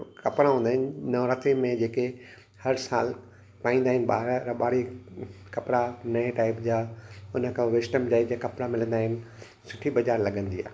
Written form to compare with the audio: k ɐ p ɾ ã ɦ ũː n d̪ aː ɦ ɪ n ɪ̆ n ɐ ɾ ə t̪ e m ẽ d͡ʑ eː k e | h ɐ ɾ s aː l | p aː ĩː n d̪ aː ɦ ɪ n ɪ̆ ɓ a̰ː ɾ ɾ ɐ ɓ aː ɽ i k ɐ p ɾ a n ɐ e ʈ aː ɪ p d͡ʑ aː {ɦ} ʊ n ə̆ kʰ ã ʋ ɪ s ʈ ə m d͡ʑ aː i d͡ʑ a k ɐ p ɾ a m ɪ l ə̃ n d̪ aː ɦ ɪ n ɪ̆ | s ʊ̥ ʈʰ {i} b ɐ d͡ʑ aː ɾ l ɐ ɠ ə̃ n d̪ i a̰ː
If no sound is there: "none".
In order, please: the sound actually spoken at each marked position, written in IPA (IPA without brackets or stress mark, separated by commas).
none, i